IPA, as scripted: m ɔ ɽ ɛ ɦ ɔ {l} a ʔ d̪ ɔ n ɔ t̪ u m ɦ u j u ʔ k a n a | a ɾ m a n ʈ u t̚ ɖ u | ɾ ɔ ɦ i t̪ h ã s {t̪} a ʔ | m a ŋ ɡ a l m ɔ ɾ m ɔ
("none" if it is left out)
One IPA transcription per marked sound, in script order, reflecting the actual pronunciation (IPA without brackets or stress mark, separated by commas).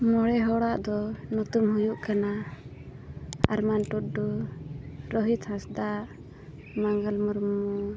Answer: ɽ, d̪